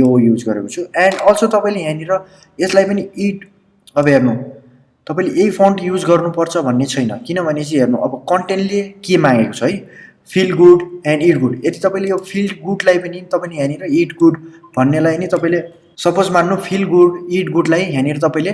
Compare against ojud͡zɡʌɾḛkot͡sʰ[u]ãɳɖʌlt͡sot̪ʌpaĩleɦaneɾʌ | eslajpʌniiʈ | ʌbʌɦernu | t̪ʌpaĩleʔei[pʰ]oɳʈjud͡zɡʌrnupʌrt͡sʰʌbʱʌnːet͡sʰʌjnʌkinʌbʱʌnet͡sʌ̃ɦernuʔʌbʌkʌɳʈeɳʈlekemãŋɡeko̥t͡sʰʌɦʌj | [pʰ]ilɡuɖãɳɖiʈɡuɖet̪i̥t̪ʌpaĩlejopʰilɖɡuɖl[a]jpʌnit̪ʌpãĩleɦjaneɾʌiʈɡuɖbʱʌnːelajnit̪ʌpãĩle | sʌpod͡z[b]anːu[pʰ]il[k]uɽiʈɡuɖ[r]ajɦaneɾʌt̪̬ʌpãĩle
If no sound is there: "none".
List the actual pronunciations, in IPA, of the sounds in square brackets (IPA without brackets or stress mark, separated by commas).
u, pʰ, pʰ, a, m, pʰ, ɡ, l